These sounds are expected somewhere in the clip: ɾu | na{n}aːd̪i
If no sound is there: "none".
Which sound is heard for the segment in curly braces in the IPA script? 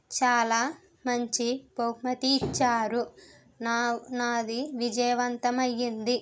n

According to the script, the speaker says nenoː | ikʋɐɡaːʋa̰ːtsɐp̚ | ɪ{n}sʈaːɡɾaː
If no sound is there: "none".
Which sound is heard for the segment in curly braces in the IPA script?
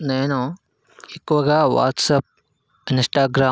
n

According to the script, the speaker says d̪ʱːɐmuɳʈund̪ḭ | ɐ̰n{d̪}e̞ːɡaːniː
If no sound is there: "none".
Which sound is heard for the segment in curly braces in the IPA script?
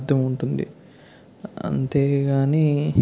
t̪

